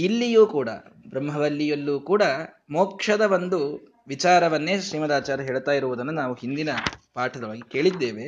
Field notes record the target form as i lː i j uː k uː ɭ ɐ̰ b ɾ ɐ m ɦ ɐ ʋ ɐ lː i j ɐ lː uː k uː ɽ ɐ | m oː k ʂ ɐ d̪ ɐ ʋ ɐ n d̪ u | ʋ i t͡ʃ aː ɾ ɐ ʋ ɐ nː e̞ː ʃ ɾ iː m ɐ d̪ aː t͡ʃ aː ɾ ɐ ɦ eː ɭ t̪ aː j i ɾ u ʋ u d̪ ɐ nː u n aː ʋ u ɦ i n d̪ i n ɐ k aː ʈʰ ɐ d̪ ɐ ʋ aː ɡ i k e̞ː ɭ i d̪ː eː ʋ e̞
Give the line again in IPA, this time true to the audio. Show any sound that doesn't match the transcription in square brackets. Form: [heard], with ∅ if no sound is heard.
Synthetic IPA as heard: i lː i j uː k uː [ɽ] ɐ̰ b ɾ ɐ m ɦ ɐ ʋ ɐ lː i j ɐ lː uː k uː ɽ ɐ | m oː k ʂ ɐ d̪ ɐ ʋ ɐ n d̪ u | ʋ i t͡ʃ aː ɾ ɐ ʋ ɐ nː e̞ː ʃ ɾ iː m ɐ d̪ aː t͡ʃ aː ɾ ɐ ɦ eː ɭ t̪ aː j i ɾ u ʋ u d̪ ɐ nː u n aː ʋ u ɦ i n d̪ i n ɐ [p] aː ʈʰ ɐ d̪ ɐ ʋ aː ɡ i k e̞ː ɭ i d̪ː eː ʋ e̞